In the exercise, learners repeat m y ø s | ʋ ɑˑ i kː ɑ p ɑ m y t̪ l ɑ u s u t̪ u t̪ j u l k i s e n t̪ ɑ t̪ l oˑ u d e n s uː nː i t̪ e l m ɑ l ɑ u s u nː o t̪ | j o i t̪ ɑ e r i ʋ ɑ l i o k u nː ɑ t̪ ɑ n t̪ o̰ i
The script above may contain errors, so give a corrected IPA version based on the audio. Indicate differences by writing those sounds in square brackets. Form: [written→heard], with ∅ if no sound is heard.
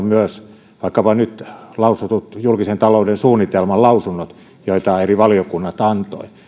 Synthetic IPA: m y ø s | ʋ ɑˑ i kː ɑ p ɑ [m→n] y t̪ l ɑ u s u t̪ u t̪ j u l k i s e n t̪ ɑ [t̪→∅] l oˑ u d e n s uː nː i t̪ e l m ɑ l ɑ u s u nː o t̪ | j o i t̪ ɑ e r i ʋ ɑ l i o k u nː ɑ t̪ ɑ n t̪ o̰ i